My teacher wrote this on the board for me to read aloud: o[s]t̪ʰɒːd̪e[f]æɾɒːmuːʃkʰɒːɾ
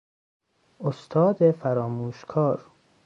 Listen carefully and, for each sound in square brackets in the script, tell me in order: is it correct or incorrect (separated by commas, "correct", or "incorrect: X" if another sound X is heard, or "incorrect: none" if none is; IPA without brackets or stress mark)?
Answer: correct, correct